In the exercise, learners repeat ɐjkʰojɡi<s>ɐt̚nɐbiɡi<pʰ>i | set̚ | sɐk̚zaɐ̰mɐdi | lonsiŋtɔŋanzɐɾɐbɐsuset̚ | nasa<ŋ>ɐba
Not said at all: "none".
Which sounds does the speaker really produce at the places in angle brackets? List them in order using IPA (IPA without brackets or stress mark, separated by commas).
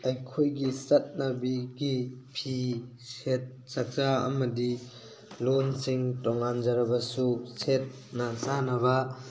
s, pʰ, n